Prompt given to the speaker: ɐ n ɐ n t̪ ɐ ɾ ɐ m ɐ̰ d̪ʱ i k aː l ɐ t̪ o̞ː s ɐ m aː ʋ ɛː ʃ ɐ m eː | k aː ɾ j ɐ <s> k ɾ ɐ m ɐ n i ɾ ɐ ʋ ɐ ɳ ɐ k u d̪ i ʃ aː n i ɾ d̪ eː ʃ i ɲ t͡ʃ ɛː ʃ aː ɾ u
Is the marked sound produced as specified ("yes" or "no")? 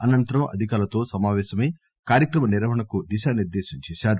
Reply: no